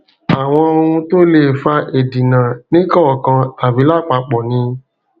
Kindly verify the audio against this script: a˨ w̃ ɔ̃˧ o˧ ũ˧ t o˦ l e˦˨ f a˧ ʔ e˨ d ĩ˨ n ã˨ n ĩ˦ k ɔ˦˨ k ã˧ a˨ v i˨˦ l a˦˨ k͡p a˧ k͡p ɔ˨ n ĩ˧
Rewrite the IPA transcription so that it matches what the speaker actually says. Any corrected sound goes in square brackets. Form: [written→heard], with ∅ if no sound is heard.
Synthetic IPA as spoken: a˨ w̃ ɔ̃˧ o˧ ũ˧ t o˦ l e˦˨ f a˧ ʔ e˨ d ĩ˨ n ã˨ n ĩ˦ k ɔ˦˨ k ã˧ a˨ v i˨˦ l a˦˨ k͡p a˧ k͡p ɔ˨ n ĩ˧